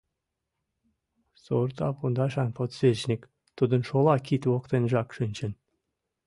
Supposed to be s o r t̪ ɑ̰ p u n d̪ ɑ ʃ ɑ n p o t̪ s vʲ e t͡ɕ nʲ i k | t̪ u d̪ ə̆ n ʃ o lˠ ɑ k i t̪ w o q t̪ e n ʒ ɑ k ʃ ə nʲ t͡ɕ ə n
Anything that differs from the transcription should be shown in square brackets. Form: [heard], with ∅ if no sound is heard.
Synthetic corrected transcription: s o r t̪ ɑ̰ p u n d̪ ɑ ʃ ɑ n p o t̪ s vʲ e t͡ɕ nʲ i k | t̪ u d̪ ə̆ n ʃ o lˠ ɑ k i t̪ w o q t̪ e n ʒ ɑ k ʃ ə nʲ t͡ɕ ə n